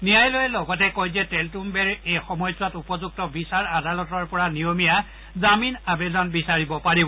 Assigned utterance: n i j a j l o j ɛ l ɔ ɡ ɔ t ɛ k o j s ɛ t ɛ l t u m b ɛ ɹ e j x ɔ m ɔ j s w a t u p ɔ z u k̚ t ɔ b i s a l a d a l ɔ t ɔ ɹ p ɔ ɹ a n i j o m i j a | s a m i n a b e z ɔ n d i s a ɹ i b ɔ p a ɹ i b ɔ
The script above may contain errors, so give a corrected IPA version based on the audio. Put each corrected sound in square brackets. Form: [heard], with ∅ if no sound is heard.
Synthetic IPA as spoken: n i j a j l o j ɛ l ɔ ɡ ɔ t ɛ k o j [z] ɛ t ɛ l t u m b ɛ ɹ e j x ɔ m ɔ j s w a t u p ɔ z u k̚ t ɔ b i s a [ɹ] a d a l ɔ t ɔ ɹ p ɔ ɹ a n i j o m i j a | [z] a m i n a b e z ɔ n [b] i s a ɹ i b ɔ p a ɹ i b ɔ